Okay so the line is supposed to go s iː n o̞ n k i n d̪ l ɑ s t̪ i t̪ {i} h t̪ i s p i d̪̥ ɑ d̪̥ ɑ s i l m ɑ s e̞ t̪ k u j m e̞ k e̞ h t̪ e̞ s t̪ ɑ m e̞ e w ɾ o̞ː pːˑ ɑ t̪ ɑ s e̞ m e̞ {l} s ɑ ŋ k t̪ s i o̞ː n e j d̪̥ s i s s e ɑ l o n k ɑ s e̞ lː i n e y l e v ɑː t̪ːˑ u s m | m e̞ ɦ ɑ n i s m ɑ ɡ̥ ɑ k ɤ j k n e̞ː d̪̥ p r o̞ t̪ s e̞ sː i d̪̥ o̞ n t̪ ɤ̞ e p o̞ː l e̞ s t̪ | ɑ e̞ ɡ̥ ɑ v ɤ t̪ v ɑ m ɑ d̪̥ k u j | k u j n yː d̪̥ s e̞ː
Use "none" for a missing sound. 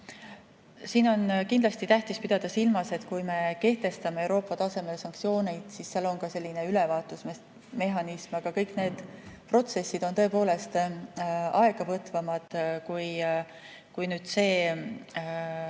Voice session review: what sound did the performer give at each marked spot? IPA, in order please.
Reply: æ, l

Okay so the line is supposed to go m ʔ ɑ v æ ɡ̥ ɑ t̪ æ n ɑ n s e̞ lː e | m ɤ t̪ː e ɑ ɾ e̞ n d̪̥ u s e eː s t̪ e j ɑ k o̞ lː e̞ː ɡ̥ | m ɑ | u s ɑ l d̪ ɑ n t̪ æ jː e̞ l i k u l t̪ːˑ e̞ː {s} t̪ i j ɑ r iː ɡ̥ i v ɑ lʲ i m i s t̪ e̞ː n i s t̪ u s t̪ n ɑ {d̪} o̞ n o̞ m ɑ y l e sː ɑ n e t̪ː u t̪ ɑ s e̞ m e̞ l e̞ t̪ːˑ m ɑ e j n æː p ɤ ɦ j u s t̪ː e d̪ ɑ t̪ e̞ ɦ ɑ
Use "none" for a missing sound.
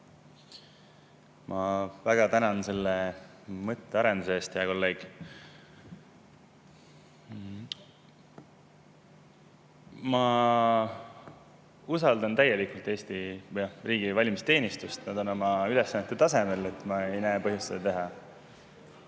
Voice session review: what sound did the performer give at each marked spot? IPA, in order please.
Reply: s, d̪

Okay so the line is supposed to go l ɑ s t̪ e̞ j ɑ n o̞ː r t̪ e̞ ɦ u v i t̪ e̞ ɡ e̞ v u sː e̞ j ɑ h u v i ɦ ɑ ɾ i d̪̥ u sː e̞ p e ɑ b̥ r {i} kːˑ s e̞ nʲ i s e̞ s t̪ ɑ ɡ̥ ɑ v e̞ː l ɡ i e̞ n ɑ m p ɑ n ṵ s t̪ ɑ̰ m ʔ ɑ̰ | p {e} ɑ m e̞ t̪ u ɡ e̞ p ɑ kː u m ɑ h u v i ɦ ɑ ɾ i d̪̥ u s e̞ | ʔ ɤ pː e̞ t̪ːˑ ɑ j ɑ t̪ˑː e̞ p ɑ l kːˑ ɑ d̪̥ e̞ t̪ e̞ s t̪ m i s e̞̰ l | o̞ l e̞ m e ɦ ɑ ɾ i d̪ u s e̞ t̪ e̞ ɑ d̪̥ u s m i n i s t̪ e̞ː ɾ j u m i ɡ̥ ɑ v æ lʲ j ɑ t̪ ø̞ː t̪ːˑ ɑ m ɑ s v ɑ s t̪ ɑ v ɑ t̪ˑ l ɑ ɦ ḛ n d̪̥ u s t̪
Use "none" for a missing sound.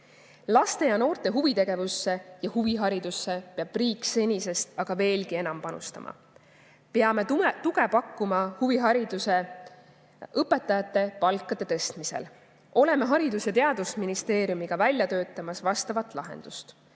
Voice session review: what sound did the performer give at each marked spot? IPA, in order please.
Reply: iː, e

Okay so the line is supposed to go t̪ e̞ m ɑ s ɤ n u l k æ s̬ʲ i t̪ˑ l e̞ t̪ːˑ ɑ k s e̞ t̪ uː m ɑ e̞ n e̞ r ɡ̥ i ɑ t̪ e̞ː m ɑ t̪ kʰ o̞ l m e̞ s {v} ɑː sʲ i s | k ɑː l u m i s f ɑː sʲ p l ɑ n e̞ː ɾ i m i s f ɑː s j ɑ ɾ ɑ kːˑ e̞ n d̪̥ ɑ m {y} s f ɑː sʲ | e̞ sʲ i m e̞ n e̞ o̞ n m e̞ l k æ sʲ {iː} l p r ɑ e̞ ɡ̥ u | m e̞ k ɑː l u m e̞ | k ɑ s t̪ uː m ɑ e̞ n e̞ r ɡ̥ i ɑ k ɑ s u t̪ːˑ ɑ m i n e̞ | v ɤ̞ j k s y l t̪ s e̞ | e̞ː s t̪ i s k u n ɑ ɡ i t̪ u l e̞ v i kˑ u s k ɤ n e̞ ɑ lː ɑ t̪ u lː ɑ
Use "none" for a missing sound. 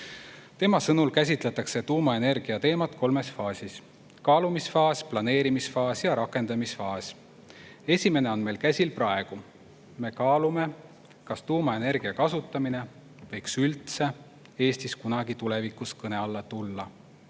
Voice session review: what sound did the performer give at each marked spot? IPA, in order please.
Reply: f, i, i

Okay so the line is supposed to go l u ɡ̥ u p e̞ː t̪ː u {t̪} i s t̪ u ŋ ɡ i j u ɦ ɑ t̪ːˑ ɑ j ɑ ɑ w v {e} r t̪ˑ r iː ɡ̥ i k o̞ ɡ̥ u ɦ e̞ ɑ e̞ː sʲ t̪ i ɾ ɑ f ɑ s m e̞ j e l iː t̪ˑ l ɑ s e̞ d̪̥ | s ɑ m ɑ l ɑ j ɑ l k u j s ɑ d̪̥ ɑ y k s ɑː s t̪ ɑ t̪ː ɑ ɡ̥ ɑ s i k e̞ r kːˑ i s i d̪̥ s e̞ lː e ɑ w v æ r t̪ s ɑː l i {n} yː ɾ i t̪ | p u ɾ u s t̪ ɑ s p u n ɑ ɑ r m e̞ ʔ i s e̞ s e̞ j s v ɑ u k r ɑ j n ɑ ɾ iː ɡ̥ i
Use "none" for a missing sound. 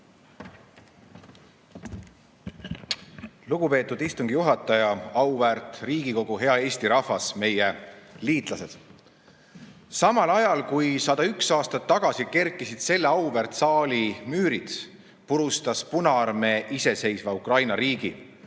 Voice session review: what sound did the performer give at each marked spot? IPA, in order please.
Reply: d̪, æ, m

